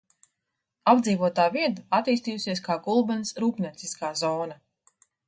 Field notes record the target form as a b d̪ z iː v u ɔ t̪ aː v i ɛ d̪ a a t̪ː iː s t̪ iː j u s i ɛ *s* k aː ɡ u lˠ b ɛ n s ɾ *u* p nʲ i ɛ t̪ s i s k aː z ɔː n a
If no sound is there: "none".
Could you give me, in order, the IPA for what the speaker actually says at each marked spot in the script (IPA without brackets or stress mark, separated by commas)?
s, uː